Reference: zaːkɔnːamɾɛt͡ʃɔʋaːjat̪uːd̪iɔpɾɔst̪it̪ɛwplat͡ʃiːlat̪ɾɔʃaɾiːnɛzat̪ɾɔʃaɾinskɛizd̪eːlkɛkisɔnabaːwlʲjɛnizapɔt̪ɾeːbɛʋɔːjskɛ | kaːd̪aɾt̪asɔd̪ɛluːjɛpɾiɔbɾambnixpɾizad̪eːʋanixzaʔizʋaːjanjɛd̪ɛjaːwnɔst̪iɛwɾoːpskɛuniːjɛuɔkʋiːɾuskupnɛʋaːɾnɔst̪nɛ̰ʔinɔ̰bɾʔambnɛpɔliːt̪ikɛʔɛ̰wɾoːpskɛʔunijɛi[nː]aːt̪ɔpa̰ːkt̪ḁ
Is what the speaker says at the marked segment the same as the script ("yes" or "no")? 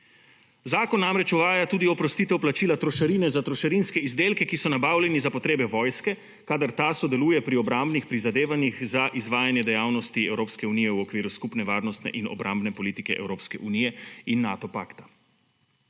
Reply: yes